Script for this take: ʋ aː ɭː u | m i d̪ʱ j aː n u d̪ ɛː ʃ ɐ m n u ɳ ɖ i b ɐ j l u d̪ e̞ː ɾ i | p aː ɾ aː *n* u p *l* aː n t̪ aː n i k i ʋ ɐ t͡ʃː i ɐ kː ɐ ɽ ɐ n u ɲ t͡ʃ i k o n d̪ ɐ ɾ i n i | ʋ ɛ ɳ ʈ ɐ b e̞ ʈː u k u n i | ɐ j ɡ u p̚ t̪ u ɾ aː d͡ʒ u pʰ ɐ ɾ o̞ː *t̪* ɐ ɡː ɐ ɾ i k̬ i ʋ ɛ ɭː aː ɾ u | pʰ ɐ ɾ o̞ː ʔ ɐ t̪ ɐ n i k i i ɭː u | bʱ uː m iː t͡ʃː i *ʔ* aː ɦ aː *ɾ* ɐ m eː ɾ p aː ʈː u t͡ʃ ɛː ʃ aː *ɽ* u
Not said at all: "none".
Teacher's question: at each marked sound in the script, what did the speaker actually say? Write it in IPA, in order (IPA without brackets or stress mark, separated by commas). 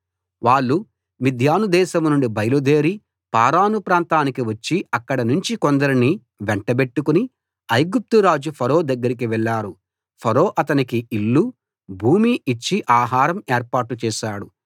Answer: n, ɾ, d̪, ʔ, ɾ, ɽ